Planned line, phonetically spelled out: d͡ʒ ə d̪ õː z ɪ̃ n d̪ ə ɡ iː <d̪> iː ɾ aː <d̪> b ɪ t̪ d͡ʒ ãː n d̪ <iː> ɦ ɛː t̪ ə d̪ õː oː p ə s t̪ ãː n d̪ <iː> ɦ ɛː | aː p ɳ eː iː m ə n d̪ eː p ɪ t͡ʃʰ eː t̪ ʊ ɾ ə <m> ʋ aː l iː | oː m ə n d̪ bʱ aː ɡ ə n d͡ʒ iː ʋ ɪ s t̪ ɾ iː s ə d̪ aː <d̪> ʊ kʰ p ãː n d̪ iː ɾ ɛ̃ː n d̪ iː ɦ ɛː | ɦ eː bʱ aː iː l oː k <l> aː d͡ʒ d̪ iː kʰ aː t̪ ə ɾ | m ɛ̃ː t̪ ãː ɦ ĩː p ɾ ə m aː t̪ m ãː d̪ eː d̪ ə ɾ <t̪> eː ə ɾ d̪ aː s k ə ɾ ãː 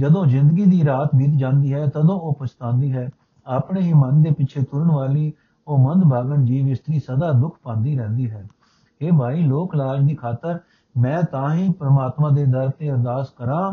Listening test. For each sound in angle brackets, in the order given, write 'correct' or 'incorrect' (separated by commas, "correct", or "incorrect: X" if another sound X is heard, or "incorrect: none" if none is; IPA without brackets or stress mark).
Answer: correct, incorrect: t̪, correct, correct, incorrect: ɳ, correct, correct, correct